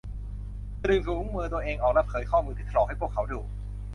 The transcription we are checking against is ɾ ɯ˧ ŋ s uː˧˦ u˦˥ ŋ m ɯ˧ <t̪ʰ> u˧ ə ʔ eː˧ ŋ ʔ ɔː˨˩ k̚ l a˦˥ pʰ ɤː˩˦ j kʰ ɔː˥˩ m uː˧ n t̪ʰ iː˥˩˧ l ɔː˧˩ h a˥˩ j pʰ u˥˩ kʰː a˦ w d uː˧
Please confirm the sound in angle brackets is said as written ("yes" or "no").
no